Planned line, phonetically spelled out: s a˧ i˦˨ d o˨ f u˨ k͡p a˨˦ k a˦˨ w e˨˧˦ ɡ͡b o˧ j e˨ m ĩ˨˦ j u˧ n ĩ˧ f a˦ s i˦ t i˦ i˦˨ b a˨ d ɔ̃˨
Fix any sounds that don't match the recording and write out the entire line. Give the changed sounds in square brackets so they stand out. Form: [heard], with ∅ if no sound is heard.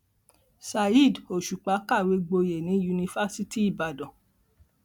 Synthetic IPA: s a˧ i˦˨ d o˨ [ʃ] u˨ k͡p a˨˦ k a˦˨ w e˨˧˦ ɡ͡b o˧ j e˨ [n] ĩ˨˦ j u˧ n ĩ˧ f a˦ s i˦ t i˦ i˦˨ b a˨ d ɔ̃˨